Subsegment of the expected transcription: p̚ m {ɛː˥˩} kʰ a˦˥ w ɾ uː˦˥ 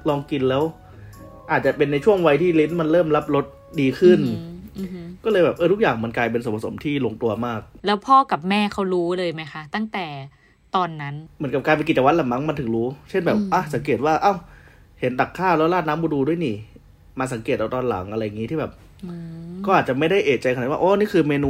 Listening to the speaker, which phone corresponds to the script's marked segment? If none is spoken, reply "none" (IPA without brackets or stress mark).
ɛː˥˩